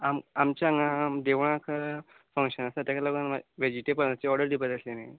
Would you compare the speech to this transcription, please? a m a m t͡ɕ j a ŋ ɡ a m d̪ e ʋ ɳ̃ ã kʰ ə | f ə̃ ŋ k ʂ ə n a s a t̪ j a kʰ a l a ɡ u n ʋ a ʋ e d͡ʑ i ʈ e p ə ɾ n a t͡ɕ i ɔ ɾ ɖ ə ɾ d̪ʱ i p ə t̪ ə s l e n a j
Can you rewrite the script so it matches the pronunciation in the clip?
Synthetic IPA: a m a m t͡ɕ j a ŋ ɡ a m d̪ e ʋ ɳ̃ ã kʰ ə | f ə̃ ŋ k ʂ ə n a s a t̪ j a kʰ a l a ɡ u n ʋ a ʋ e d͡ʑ i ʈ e p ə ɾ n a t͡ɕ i ɔ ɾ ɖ ə ɾ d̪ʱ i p ə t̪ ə s l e n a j